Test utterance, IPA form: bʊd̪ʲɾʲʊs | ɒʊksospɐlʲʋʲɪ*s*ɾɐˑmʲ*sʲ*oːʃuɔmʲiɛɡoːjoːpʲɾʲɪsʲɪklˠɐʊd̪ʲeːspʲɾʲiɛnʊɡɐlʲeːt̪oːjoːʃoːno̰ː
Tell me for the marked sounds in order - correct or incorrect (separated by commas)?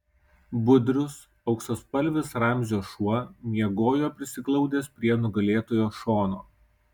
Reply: correct, incorrect